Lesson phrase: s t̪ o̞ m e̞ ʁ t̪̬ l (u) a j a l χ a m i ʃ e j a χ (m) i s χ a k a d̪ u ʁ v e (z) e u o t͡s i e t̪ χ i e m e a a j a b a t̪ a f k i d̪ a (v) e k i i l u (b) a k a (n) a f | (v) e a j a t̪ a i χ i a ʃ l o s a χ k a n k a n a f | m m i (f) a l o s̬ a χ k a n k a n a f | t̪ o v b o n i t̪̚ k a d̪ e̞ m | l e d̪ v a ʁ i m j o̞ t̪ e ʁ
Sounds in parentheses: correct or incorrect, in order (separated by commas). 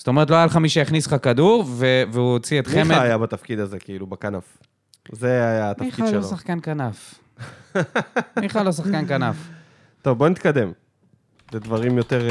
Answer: incorrect, incorrect, incorrect, incorrect, correct, correct, incorrect, incorrect